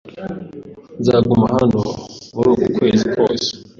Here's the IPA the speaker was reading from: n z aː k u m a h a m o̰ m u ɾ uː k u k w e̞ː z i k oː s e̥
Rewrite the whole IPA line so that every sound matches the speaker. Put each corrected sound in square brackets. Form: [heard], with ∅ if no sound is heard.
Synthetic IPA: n z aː [ɡ] u m a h a [n] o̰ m u ɾ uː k u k w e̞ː z i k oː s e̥